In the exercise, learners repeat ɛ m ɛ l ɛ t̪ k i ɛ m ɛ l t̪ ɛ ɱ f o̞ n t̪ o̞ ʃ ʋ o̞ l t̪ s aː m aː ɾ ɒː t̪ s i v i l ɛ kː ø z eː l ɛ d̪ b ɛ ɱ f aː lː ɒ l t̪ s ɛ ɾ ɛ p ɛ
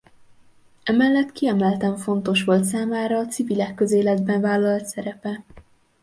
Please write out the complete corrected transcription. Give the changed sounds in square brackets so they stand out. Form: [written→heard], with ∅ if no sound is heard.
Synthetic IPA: ɛ m ɛ [l→lː] ɛ t̪ k i ɛ m ɛ l t̪ ɛ ɱ f o̞ n t̪ o̞ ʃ ʋ o̞ l t̪ s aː m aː ɾ ɒː t̪ s i v i l ɛ kː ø z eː l ɛ d̪ b ɛ ɱ [f→v] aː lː ɒ l t̪ s ɛ ɾ ɛ p ɛ